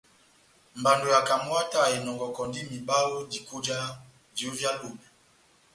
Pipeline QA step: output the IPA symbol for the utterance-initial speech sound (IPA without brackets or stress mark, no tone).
m